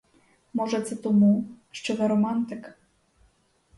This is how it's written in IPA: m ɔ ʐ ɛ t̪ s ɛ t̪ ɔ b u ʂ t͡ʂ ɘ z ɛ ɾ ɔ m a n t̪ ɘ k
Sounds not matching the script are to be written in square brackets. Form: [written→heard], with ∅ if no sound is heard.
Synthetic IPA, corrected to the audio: m ɔ ʐ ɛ t̪ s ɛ t̪ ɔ [b→m] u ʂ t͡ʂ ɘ [z→v] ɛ ɾ ɔ m a n t̪ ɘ k